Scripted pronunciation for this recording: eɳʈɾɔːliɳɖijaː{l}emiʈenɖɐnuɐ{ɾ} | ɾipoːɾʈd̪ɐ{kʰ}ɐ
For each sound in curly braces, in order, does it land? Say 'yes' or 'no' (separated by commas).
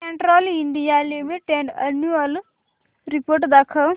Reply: yes, no, yes